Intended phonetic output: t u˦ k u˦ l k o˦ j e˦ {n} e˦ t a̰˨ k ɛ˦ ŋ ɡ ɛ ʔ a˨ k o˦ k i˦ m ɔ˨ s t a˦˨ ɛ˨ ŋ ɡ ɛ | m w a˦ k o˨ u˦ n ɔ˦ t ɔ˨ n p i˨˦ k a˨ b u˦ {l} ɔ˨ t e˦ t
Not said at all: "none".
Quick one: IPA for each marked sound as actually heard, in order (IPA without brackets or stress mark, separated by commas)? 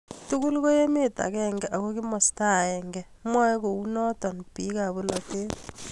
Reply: m, l